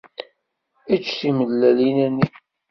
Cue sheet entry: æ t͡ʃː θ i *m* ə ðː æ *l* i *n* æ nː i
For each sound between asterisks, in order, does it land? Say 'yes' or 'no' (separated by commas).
yes, yes, yes